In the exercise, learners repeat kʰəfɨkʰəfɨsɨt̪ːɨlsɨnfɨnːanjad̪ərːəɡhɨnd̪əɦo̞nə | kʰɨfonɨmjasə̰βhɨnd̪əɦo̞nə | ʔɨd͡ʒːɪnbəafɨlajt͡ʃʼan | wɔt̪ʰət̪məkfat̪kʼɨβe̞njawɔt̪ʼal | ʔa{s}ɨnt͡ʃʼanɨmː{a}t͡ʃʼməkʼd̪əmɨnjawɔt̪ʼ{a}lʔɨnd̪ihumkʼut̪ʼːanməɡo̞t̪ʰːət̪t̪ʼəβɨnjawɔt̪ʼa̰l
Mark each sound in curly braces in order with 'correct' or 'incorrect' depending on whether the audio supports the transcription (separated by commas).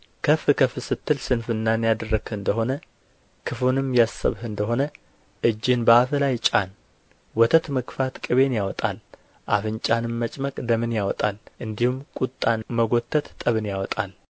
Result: incorrect, incorrect, correct